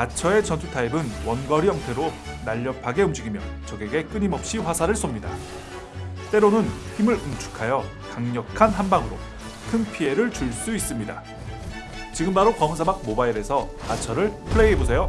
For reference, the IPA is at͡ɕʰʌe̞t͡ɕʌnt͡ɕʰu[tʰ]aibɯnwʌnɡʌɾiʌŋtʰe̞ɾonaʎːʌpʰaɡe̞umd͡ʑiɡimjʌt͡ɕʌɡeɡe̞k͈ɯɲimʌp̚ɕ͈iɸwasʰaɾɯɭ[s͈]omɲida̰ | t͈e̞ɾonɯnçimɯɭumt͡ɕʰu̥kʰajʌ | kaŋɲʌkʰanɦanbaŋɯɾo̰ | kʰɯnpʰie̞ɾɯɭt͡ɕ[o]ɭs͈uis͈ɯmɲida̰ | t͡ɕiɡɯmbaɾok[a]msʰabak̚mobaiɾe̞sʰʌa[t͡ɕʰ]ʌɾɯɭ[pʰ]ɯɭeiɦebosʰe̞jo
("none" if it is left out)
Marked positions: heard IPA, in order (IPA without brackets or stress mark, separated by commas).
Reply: tʰ, s͈, u, ʌ, t͡ɕʰ, pʰ